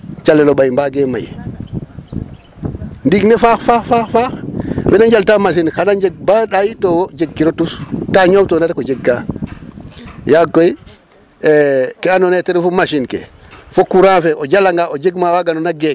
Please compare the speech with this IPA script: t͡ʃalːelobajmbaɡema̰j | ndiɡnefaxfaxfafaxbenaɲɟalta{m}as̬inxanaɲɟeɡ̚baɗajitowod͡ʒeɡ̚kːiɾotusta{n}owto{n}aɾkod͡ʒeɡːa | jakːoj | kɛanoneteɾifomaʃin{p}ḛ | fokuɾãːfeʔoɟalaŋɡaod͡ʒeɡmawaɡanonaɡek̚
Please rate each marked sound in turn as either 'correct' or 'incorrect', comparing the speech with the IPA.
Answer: correct, incorrect, correct, incorrect

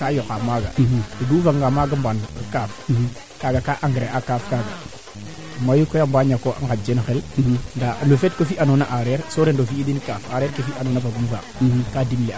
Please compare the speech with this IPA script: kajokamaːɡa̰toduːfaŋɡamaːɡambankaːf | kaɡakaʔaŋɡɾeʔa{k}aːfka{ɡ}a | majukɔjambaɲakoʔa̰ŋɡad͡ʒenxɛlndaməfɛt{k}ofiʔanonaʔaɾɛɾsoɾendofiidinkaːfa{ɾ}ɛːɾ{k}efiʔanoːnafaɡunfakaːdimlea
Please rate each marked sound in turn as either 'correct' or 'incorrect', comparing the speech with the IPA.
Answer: correct, correct, correct, correct, correct

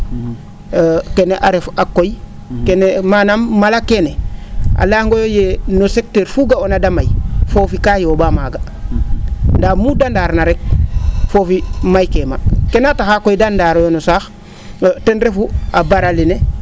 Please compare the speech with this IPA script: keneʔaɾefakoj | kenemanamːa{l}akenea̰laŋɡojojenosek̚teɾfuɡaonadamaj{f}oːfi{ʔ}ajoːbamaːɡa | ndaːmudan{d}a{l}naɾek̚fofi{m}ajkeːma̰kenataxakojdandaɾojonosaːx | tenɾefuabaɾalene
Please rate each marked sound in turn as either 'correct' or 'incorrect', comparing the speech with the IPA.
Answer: correct, correct, incorrect, correct, incorrect, correct

